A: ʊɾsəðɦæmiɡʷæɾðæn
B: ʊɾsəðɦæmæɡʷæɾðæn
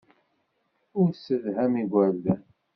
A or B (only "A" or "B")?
A